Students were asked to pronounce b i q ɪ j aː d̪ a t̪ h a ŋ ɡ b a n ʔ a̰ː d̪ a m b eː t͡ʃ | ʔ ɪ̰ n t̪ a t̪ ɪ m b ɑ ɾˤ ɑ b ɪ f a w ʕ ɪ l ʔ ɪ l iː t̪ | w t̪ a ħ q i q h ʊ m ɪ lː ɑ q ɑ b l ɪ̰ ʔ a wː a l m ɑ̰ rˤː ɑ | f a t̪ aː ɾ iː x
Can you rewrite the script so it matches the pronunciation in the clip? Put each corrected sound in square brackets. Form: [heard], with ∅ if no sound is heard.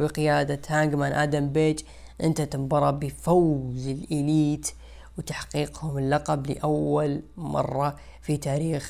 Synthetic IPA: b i q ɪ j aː d̪ a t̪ h a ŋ ɡ [m] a n ʔ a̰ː d̪ a m b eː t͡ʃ | ʔ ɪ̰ n t̪ a t̪ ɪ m b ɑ ɾˤ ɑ b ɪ f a w [z] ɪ l ʔ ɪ l iː t̪ | w t̪ a ħ q [iː] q h ʊ m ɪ lː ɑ q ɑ b l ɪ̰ ʔ a wː a l m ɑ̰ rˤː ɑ | f [i] t̪ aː ɾ iː x